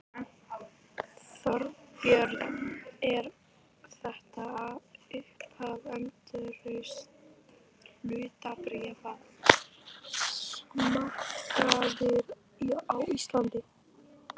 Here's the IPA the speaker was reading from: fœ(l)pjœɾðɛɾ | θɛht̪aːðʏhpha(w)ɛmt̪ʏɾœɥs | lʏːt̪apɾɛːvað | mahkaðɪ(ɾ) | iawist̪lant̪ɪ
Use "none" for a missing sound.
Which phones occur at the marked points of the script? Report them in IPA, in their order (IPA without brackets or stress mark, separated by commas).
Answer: ɾ, v, ɾ